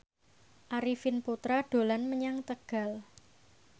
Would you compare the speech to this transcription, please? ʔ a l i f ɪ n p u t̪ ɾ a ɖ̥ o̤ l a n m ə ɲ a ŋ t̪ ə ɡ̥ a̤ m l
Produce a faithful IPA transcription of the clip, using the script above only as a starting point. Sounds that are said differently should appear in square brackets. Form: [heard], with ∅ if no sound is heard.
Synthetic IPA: ʔ a [ɾ] i f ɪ n p u t̪ ɾ a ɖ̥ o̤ l a n m ə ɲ a ŋ t̪ ə ɡ̥ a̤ [∅] l